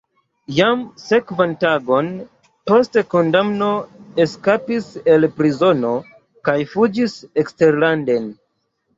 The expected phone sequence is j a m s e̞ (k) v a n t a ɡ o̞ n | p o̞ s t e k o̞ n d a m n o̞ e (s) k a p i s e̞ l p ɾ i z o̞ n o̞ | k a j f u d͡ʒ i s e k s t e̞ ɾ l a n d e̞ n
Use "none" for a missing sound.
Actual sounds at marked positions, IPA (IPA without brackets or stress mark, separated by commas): k, s